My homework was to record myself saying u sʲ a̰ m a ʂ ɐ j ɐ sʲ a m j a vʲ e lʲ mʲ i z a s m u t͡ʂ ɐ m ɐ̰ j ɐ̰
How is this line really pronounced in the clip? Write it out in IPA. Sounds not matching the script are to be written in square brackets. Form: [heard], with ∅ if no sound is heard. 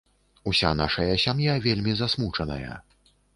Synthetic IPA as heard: u sʲ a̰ [n] a ʂ ɐ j ɐ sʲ a m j a vʲ e lʲ mʲ i z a s m u t͡ʂ ɐ [n] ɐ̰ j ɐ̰